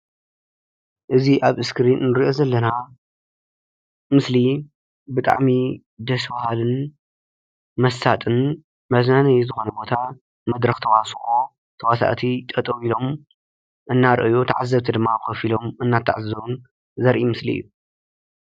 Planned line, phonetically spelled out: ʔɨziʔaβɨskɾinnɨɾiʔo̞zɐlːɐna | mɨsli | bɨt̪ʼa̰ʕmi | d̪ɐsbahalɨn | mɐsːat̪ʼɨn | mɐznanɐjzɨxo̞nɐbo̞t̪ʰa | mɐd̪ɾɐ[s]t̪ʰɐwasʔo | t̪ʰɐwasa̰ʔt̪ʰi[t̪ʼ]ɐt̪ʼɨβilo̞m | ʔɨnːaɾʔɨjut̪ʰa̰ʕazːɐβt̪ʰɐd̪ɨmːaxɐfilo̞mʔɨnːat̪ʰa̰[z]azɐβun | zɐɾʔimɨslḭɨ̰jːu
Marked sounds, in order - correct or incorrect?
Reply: incorrect, correct, incorrect

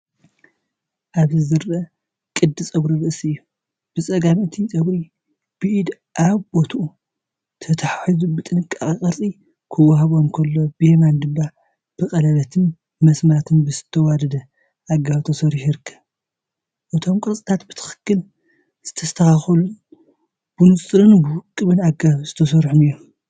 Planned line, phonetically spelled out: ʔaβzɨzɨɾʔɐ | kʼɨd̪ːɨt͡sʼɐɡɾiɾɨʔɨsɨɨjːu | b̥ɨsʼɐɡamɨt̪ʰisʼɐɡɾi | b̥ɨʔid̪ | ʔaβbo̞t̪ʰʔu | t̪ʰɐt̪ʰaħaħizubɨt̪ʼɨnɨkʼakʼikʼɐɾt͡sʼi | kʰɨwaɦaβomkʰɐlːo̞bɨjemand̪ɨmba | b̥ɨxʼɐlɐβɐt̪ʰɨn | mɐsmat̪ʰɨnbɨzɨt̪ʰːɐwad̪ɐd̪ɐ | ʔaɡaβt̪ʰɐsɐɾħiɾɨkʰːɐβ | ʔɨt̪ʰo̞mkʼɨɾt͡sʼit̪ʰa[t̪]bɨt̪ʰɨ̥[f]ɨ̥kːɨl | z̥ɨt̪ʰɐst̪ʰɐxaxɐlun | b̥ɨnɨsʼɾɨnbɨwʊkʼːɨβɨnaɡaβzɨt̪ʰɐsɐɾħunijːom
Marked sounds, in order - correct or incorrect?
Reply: correct, incorrect

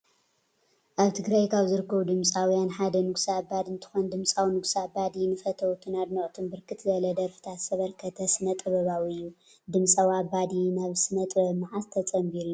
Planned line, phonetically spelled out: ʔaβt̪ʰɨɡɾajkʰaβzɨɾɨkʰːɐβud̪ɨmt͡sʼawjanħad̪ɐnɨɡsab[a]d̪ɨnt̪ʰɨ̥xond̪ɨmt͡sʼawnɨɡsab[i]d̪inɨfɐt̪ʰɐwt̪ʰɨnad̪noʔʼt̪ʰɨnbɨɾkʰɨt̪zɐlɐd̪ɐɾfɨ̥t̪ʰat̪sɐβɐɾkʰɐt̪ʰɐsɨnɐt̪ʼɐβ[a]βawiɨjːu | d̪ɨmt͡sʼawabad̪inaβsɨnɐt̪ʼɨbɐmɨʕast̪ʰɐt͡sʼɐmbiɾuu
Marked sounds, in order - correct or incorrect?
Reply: correct, incorrect, incorrect

